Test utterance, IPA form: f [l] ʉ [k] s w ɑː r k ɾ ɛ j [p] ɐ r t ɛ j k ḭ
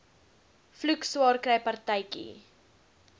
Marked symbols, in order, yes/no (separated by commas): yes, yes, yes